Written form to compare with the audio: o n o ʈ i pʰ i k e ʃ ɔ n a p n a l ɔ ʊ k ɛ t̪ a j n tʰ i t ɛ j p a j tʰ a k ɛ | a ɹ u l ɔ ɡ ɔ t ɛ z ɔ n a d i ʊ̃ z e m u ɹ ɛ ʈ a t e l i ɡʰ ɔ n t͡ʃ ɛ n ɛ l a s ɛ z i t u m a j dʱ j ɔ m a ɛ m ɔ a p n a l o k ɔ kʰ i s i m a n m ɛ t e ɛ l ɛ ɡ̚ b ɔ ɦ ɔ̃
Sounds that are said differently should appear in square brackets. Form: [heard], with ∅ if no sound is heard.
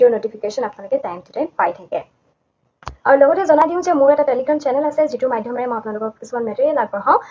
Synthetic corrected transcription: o n o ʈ i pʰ i k e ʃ ɔ n a p n a l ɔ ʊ k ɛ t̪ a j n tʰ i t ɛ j p a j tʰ a k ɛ | a ɹ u l ɔ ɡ ɔ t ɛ z ɔ n a d i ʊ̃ z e m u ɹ ɛ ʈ a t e l i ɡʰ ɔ n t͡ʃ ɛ n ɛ l a s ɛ z i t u m a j dʱ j ɔ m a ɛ m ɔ a p n a l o k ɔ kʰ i s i m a n m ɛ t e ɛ l [a] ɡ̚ b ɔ ɦ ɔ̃